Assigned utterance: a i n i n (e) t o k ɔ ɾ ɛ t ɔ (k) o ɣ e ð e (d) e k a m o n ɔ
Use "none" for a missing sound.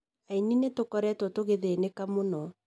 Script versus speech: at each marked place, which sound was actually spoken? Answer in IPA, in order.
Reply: e, t, n

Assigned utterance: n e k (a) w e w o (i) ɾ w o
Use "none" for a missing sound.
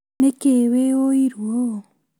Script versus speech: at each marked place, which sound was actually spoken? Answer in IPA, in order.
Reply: e, i

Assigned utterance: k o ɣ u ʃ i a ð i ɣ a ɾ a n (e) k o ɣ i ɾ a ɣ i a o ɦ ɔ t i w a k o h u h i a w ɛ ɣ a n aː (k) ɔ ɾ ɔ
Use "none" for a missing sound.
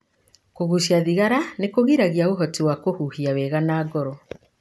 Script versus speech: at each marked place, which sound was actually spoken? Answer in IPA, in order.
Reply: e, ɡ

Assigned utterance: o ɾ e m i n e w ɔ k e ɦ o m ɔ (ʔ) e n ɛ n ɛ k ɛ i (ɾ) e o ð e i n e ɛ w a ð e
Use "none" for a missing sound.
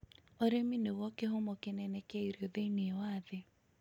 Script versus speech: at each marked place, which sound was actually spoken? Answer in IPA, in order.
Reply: k, ɾ

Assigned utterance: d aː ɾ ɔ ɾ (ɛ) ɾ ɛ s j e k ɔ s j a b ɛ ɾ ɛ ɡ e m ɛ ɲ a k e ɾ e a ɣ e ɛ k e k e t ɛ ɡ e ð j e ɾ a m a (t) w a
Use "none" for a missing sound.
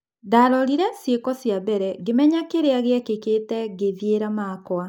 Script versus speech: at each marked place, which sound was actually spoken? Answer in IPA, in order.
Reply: i, k

